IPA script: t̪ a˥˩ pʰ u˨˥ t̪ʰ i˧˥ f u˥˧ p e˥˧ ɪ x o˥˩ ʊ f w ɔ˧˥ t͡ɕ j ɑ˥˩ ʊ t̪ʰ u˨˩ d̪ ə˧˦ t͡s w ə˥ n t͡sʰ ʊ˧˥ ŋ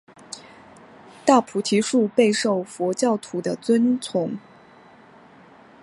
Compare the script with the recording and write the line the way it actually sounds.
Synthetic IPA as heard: t̪ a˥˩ pʰ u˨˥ t̪ʰ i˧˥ ʂ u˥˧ p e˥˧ ɪ ʂ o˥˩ ʊ f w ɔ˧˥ t͡ɕ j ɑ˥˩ ʊ t̪ʰ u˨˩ d̪ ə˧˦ t͡s w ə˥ n t͡sʰ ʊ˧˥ ŋ

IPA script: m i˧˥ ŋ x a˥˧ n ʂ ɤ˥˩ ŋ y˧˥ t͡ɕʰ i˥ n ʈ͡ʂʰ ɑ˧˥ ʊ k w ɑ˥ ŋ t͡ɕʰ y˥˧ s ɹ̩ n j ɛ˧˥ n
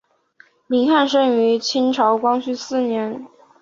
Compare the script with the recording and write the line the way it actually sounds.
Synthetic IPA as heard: m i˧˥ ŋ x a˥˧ n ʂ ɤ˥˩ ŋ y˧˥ t͡ɕʰ i˥ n ʈ͡ʂʰ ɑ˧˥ ʊ k w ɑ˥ ŋ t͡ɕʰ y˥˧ s ɹ̩ n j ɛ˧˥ n

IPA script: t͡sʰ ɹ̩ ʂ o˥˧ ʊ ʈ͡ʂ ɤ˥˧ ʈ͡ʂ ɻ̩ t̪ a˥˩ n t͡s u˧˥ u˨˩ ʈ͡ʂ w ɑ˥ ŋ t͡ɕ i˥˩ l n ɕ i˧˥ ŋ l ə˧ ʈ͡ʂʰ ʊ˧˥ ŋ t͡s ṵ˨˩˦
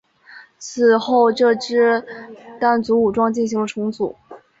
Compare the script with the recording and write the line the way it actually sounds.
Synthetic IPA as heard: t͡sʰ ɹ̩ x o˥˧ ʊ ʈ͡ʂ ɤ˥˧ ʈ͡ʂ ɻ̩ t̪ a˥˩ n t͡s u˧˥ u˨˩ ʈ͡ʂ w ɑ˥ ŋ t͡ɕ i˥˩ n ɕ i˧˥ ŋ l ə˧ ʈ͡ʂʰ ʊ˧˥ ŋ t͡s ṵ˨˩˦

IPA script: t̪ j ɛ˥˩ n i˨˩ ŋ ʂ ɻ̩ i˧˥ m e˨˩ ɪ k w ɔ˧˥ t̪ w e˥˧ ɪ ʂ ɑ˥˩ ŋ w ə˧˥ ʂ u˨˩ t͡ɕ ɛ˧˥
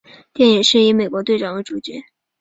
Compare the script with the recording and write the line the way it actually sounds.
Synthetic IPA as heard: t̪ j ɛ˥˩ n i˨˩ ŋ ʂ ɻ̩ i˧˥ m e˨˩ ɪ k w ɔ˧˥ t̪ w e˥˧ ɪ ʈ͡ʂ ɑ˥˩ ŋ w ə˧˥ ʈ͡ʂ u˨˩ t͡ɕ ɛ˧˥

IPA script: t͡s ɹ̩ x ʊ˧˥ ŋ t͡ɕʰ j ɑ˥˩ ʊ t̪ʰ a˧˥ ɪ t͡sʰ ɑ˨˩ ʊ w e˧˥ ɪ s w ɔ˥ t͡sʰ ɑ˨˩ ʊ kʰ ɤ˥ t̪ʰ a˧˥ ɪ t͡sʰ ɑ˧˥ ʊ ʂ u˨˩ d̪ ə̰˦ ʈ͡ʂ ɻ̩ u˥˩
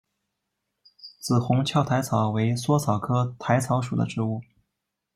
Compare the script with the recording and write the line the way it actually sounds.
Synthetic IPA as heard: t͡s ɹ̩ x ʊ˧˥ ŋ t͡ɕʰ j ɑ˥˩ ʊ t̪ʰ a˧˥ ɪ t͡sʰ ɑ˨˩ ʊ w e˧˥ ɪ s w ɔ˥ t͡sʰ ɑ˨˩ ʊ kʰ ɤ˥ t̪ʰ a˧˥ ɪ t͡sʰ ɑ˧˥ ʊ ʂ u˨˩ d̪ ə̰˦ ʈ͡ʂ ɻ̩ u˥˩

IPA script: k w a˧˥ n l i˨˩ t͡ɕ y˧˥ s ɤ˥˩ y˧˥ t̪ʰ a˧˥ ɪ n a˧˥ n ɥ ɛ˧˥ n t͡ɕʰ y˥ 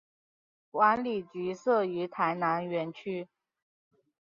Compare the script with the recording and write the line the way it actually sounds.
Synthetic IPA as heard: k w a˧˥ n l i˨˩ t͡ɕ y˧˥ s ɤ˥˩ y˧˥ t̪ʰ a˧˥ ɪ n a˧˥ n ɥ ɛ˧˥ n t͡ɕʰ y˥

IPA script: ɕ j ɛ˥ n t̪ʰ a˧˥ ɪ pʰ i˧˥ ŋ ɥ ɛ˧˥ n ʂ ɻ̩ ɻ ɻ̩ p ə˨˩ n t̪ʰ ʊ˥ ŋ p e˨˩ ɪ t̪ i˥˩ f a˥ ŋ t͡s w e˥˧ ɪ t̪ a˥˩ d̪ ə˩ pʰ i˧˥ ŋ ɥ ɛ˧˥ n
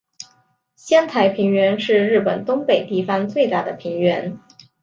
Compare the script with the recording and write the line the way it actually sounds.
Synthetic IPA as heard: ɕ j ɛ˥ n t̪ʰ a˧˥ ɪ pʰ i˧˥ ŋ ɥ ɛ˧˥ n ʂ ɻ̩ ɻ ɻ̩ p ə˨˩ n t̪ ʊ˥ ŋ p e˨˩ ɪ t̪ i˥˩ f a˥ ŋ t͡s w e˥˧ ɪ t̪ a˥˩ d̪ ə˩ pʰ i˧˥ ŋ ɥ ɛ˧˥ n

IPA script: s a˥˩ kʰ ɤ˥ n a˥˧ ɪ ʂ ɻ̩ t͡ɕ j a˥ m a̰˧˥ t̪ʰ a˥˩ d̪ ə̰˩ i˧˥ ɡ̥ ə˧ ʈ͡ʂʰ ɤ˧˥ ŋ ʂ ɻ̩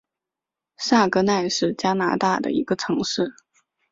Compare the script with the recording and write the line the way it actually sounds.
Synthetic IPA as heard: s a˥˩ k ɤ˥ n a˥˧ ɪ ʂ ɻ̩ t͡ɕ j a˥ n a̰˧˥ t̪ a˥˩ d̪ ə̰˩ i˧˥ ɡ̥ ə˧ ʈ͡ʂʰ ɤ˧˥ ŋ ʂ ɻ̩

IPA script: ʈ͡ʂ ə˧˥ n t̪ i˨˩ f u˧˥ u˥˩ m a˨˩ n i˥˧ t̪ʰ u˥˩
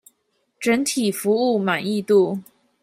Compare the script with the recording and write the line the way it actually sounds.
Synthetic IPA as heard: ʈ͡ʂ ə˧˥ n t̪ʰ i˨˩ f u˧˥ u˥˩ m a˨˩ n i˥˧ t̪ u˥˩

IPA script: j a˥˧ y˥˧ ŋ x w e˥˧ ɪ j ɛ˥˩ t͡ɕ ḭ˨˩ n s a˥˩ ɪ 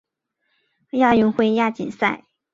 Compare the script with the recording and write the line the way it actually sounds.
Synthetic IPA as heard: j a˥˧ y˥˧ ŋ x w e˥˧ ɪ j a˥˩ t͡ɕ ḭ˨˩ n s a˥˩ ɪ

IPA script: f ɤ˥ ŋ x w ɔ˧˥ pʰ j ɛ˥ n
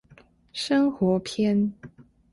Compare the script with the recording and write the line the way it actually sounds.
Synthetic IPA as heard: ʂ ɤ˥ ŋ x w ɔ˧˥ pʰ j ɛ˥ n

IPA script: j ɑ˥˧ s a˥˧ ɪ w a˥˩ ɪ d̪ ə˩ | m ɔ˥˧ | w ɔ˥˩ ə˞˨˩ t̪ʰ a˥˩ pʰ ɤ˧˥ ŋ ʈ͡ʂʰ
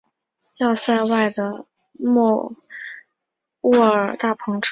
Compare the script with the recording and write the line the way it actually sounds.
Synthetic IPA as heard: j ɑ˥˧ s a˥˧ ɪ w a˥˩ ɪ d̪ ə˩ | m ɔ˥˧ | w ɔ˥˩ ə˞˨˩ t̪ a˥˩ pʰ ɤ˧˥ ŋ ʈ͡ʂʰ

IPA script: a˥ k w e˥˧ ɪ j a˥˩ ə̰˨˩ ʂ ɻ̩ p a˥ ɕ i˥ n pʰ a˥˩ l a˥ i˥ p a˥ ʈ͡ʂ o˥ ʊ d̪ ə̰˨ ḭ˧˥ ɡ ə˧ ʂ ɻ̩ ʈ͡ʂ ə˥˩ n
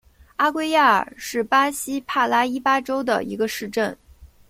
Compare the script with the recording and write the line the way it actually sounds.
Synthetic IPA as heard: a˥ k w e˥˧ ɪ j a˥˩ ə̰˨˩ ʂ ɻ̩ p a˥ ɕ i˥ pʰ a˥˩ l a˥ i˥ p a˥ ʈ͡ʂ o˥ ʊ d̪ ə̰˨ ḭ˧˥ ɡ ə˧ ʂ ɻ̩ ʈ͡ʂ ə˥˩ n

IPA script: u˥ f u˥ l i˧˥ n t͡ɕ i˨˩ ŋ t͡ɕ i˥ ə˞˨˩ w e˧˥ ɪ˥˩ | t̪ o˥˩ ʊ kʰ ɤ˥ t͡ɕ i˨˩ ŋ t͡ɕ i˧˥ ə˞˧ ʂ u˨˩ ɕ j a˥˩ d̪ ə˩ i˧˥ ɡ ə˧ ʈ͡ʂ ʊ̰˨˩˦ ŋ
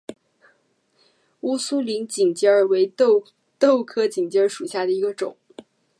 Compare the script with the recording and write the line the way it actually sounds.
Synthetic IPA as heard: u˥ s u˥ l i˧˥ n t͡ɕ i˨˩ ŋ t͡ɕ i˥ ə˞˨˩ w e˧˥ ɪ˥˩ | t̪ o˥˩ ʊ kʰ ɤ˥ t͡ɕ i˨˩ ŋ t͡ɕ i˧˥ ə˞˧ ʂ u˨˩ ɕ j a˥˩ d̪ ə˩ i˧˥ ɡ ə˧ ʈ͡ʂ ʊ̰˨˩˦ ŋ

